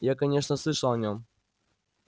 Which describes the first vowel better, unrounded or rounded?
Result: unrounded